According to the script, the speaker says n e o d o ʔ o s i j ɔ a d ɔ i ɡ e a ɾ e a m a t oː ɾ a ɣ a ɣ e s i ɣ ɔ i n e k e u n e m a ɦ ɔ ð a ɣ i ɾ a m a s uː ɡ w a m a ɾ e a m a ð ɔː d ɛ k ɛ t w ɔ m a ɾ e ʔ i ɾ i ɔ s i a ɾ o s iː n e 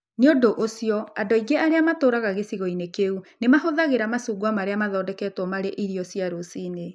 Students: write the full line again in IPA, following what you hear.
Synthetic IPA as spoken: n e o d o ʔ o s i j ɔ a d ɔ i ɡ e a ɾ e a m a t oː ɾ a ɣ a ɣ e s i ɣ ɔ i n e k e u n e m a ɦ o ð a ɣ e ɾ a m a s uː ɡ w a m a ɾ e a m a ð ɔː d ɛ k ɛ t w ɔ m a ɾ e ʔ i ɾ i ɔ s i a ɾ o s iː n e